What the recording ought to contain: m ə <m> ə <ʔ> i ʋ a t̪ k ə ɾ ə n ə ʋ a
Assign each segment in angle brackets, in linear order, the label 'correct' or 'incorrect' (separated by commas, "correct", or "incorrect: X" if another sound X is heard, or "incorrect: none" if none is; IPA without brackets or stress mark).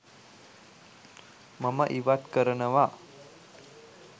correct, correct